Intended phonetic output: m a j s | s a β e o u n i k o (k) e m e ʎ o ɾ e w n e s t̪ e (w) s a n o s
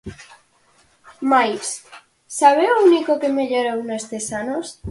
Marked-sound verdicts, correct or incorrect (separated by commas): correct, incorrect